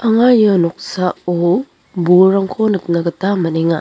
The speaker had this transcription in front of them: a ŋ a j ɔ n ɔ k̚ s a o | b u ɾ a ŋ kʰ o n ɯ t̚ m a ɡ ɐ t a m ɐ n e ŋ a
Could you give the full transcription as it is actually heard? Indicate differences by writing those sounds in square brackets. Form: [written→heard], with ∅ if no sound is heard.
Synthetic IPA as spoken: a ŋ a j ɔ n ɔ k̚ s a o | b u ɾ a ŋ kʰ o n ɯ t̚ [m→n] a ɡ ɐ t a m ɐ n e ŋ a